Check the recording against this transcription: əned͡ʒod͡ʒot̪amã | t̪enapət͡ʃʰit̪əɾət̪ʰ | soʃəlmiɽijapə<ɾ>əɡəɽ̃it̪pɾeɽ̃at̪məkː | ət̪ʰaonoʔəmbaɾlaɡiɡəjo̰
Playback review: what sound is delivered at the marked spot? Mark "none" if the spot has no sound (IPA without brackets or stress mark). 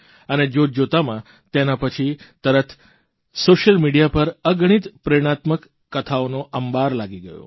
ɾ